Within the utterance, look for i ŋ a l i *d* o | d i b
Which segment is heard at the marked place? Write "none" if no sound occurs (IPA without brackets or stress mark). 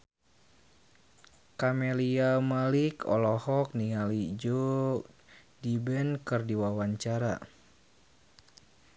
d͡ʒ